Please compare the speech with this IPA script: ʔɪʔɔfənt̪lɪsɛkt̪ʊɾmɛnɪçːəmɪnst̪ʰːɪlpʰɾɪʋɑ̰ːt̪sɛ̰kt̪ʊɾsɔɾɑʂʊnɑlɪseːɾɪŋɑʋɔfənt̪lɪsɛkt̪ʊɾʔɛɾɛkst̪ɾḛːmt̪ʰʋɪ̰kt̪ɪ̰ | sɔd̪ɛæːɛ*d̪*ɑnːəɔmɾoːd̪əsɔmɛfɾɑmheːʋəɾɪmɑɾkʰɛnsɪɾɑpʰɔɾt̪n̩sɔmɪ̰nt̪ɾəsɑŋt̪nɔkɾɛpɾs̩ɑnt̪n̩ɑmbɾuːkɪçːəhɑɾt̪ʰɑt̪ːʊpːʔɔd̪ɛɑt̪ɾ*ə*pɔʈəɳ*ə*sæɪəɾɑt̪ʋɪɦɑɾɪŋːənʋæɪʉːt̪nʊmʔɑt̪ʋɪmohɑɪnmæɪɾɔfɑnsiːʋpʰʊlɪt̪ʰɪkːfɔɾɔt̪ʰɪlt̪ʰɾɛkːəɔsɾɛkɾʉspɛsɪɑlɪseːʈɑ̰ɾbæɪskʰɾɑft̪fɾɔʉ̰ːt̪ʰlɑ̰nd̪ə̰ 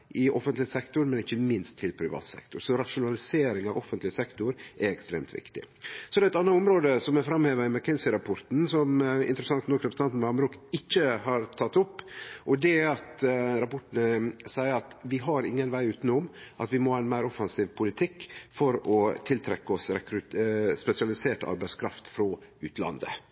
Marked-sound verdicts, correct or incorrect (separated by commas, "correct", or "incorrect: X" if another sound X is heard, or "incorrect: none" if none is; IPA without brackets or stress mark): incorrect: t̪, incorrect: ɑ, correct